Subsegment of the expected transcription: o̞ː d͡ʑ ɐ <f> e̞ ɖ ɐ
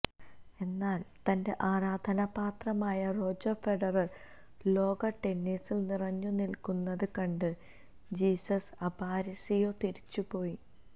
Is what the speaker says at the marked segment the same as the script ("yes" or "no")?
yes